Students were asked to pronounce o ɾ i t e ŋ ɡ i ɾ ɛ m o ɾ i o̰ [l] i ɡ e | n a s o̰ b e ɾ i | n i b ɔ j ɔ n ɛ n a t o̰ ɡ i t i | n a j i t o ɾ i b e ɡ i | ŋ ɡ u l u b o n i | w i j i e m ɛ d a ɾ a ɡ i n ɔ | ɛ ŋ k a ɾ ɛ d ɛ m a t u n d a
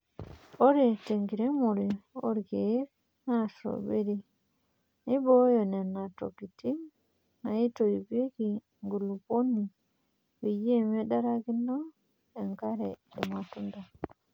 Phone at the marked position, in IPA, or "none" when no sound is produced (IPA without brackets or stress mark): ɾ